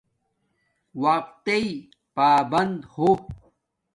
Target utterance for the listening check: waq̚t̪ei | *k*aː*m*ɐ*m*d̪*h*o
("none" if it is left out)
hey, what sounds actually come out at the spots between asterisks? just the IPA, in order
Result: p, b, n, h

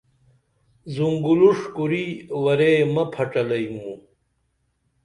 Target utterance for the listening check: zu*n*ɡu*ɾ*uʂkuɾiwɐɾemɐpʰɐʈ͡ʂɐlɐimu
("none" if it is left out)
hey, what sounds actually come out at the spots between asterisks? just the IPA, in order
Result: ŋ, l

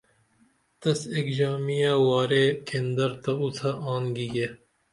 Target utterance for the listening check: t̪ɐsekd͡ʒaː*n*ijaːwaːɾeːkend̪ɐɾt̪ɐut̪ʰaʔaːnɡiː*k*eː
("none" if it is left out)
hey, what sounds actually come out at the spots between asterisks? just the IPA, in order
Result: m, ɡ

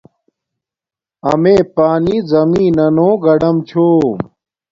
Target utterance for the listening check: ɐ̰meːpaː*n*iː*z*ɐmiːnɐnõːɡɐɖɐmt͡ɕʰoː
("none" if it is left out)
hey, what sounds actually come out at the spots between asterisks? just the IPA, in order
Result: n, z

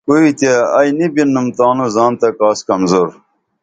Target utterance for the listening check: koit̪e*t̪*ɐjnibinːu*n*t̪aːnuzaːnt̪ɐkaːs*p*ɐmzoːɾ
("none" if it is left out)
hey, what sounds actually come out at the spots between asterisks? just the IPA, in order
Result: none, m, k

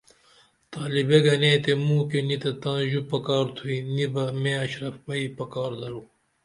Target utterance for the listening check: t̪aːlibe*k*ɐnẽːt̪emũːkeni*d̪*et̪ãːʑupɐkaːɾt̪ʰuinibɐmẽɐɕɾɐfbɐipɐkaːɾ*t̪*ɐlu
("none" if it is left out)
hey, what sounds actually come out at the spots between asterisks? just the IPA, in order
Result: ɡ, t̪, d̪

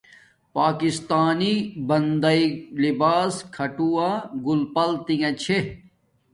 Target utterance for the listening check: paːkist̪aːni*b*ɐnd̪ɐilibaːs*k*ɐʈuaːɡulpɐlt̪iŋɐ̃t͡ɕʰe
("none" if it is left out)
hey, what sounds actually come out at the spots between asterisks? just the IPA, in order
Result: b, kʰ

